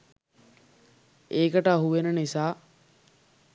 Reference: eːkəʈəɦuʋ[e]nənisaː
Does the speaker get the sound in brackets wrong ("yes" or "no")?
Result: no